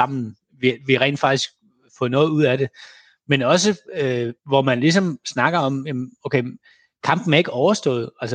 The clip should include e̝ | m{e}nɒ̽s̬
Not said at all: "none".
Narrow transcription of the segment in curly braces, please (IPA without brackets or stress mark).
e